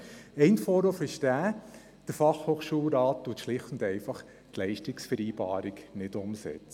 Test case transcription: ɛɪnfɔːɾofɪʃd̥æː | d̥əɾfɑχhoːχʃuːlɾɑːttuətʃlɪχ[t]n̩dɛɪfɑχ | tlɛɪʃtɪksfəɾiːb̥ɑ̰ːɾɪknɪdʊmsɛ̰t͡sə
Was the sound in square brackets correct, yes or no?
yes